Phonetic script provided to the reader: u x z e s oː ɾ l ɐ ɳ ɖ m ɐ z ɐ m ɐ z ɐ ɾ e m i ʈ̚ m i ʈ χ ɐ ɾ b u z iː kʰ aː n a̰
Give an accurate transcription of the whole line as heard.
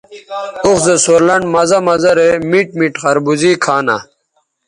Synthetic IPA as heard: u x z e s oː ɾ l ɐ ɳ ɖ m ɐ z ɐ m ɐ z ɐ ɾ e m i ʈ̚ m i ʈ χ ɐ ɾ b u z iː kʰ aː n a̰